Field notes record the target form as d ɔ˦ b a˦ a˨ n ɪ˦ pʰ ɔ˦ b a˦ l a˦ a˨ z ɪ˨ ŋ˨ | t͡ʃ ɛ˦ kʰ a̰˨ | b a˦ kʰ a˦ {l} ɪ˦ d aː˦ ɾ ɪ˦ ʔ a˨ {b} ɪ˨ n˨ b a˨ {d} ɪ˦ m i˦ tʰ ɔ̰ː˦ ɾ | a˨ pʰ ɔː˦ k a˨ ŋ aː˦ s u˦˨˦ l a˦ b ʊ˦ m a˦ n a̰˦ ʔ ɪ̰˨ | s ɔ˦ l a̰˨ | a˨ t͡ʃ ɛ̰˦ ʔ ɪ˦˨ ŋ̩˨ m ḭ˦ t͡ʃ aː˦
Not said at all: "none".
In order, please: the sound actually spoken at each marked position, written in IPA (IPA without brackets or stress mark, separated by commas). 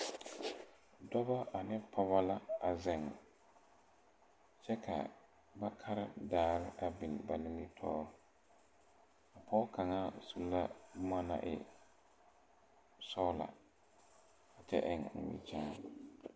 ɾ, b, n